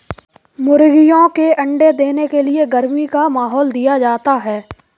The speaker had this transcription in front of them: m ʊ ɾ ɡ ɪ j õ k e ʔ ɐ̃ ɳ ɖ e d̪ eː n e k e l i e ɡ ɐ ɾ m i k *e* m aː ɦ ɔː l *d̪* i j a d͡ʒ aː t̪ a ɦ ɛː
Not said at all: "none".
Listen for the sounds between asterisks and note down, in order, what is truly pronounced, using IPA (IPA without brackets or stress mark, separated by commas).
a, d̪